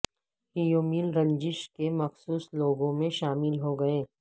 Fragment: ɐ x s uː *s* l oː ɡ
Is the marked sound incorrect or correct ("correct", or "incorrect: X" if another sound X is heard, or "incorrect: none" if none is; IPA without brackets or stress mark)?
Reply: correct